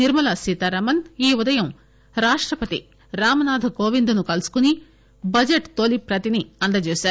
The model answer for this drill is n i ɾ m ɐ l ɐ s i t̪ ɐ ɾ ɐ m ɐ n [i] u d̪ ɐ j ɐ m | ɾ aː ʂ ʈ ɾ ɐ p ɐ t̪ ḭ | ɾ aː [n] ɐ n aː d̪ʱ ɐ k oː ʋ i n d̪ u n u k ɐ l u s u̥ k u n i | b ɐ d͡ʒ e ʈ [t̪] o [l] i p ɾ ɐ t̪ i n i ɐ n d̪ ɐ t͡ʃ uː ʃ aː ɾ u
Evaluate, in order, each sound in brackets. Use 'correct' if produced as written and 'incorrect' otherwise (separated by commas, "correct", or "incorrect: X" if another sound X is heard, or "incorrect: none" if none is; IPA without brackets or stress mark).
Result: incorrect: iː, incorrect: m, correct, correct